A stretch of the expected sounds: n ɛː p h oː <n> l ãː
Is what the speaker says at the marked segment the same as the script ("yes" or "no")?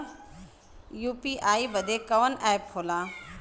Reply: no